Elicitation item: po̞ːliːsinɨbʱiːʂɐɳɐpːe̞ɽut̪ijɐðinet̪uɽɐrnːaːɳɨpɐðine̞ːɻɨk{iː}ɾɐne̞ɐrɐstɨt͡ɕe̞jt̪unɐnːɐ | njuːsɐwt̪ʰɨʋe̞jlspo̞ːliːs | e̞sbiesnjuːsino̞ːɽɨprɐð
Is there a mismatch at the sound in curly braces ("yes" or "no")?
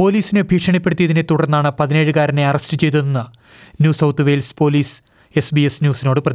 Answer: yes